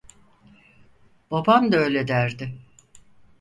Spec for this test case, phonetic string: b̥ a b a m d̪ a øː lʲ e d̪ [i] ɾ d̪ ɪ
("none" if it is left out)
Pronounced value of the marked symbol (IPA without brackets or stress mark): æ